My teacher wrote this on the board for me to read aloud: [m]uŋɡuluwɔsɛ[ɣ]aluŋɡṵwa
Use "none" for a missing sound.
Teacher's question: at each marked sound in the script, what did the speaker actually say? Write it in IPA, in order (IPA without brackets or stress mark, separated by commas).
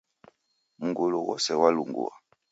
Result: m, w